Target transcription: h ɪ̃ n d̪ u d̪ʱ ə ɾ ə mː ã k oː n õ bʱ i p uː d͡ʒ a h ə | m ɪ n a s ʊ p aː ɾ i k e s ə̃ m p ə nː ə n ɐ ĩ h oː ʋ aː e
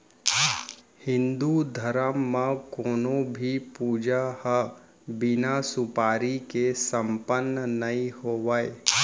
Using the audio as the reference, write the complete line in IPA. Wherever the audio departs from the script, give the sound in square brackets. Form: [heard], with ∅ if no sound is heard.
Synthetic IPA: h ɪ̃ n d̪ u d̪ʱ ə ɾ ə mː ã k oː n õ bʱ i p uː d͡ʒ a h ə | [b] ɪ n a s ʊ p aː ɾ i k e s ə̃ m p ə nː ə n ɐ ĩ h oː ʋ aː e